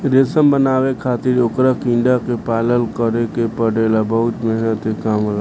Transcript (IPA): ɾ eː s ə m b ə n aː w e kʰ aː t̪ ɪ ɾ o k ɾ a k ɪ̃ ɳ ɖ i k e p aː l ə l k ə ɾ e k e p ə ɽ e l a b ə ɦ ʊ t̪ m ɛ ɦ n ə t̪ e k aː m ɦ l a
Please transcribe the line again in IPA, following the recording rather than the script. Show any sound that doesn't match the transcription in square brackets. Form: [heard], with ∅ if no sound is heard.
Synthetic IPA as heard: ɾ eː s ə m b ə n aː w e kʰ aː t̪ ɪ ɾ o k ɾ a k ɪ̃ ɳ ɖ [a] k e p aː l ə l k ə ɾ e k e p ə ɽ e l a b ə ɦ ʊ t̪ m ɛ ɦ n ə t̪ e k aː m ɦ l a